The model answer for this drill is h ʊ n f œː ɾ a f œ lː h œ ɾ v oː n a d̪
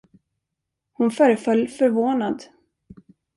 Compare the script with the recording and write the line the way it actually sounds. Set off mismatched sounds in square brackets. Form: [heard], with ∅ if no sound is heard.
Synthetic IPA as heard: h ʊ n f œː ɾ [ə] f œ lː [f] œ ɾ v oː n a d̪